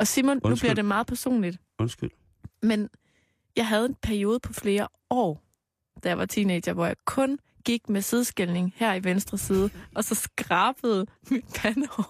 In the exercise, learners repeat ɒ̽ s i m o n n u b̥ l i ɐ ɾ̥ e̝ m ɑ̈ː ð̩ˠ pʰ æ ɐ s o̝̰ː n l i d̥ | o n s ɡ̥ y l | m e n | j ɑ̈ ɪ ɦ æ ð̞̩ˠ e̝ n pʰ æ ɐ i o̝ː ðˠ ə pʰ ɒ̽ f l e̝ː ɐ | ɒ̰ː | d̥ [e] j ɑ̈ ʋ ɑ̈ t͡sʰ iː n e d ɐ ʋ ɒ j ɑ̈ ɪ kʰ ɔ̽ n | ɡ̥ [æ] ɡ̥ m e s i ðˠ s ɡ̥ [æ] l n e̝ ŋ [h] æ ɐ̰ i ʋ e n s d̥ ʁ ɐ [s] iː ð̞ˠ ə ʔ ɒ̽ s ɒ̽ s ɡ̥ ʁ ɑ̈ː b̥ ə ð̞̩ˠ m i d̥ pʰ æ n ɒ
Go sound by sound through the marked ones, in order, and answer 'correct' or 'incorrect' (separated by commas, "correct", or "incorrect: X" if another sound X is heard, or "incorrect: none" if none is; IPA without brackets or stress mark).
incorrect: æ, incorrect: i, incorrect: e, correct, correct